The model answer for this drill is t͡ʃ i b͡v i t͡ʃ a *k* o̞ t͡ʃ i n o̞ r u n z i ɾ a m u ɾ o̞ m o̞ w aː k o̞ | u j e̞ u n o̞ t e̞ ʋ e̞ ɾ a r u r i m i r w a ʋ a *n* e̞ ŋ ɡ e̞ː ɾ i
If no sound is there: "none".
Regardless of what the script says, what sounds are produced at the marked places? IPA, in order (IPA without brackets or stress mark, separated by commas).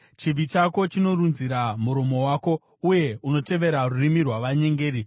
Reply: k, ɲ